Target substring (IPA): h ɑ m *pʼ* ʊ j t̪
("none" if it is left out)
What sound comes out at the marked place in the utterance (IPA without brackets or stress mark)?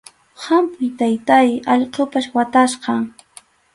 p